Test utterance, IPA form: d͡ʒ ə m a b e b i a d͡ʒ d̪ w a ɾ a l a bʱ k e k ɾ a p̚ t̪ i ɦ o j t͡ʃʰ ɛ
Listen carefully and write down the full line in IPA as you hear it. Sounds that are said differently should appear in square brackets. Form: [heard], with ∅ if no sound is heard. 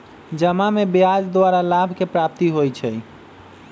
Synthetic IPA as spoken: d͡ʒ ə m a [m] e b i a d͡ʒ d̪ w a ɾ a l a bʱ k e [p] ɾ a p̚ t̪ i ɦ o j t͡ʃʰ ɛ